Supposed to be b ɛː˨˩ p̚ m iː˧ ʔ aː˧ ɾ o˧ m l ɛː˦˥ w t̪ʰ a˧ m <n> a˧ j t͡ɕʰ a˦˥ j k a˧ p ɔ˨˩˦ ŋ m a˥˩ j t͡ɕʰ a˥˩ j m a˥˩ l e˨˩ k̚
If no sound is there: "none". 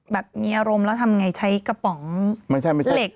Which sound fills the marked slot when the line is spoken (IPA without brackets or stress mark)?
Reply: ŋ